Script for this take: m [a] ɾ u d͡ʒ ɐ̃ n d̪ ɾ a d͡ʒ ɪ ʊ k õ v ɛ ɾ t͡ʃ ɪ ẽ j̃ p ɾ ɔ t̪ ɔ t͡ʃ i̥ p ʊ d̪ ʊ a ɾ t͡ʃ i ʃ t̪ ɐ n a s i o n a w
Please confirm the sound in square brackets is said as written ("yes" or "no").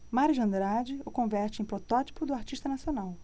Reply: yes